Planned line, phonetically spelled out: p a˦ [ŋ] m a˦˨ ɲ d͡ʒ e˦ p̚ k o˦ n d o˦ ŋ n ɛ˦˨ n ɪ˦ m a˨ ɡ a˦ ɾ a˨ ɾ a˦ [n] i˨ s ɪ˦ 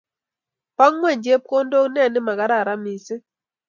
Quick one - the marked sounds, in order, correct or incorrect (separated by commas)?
correct, incorrect